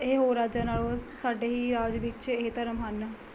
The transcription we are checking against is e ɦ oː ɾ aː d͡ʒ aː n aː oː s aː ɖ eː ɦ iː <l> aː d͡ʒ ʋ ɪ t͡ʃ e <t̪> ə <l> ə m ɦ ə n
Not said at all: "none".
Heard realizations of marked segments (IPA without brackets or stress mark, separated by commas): ɾ, t̪, ɾ